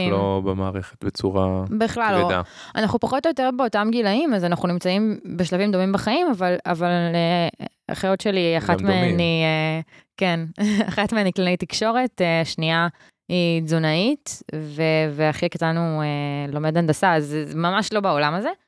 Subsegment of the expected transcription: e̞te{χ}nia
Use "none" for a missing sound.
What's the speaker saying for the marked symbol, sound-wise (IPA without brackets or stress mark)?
ʃ